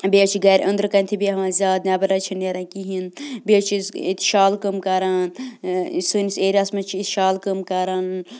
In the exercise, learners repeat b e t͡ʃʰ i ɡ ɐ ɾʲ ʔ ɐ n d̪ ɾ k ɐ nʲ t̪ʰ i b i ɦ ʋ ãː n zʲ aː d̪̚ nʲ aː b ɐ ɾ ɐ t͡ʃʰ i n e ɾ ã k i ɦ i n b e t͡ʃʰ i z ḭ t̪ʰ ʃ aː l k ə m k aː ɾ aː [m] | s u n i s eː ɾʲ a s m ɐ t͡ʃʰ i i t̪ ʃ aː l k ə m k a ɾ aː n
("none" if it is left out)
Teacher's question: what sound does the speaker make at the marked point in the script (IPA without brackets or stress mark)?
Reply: n